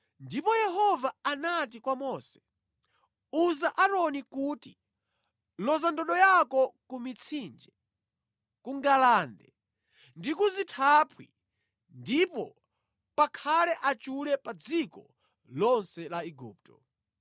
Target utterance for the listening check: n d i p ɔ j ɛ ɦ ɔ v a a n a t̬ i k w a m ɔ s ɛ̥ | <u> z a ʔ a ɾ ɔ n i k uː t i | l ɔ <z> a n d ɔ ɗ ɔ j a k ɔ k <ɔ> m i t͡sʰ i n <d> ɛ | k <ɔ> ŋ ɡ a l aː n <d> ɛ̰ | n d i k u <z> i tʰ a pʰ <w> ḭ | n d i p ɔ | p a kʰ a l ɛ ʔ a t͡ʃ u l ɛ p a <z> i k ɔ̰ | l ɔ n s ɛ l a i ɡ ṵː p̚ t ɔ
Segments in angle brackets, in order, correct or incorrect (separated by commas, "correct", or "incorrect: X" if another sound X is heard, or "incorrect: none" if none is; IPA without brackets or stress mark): correct, correct, incorrect: u, incorrect: d͡ʒ, incorrect: u, correct, correct, correct, incorrect: d͡z